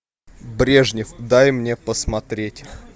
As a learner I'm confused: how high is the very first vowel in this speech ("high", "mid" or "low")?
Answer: mid